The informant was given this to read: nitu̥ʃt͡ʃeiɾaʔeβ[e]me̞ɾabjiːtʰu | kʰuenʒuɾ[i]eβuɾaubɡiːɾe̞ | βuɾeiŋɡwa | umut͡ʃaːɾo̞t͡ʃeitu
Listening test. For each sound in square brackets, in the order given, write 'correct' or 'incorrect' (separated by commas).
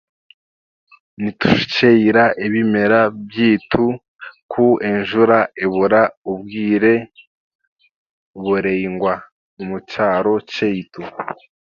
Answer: incorrect, incorrect